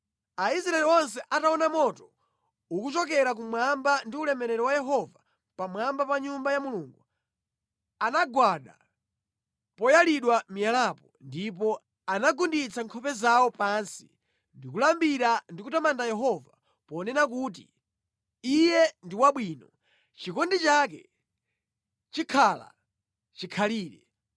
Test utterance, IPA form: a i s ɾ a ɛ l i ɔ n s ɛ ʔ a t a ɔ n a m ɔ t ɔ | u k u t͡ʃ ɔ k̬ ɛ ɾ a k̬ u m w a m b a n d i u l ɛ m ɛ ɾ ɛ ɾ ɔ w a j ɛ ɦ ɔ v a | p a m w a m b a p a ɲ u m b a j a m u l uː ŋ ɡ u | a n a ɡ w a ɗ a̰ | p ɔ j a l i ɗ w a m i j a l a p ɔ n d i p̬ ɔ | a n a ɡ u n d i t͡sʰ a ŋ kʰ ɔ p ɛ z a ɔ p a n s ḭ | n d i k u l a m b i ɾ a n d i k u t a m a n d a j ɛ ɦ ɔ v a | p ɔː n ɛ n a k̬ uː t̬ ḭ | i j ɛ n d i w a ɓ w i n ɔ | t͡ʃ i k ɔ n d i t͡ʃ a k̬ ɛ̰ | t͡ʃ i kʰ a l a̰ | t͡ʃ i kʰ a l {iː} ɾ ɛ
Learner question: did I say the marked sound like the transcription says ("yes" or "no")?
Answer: yes